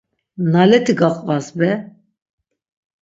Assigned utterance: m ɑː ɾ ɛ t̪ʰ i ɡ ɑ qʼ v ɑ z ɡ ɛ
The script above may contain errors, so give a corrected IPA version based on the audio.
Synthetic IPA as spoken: n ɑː l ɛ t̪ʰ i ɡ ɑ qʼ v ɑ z b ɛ